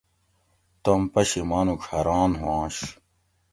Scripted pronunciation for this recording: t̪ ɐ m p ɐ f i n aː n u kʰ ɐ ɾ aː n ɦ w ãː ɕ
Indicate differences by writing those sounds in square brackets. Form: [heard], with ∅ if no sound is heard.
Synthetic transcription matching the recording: t̪ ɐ m p ɐ [ɕ] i [m] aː n u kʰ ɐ ɾ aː n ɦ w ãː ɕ